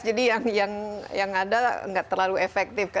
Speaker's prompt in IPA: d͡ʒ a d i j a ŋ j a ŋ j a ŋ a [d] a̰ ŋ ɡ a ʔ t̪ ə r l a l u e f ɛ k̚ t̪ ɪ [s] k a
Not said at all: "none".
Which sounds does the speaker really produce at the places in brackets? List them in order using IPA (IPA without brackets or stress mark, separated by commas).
d, f